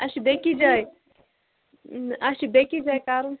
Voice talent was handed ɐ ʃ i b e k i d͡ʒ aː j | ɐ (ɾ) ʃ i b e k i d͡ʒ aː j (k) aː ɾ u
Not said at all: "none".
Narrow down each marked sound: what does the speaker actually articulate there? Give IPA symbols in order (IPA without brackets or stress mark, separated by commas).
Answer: none, k